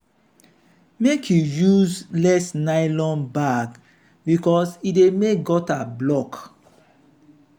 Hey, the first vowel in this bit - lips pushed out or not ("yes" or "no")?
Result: no